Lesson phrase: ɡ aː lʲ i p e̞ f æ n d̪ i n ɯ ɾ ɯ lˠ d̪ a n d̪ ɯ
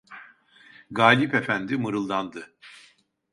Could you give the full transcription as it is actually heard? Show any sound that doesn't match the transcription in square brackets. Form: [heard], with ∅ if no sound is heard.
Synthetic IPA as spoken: ɡ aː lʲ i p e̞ f æ n d̪ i [m] ɯ ɾ ɯ lˠ d̪ a n d̪ ɯ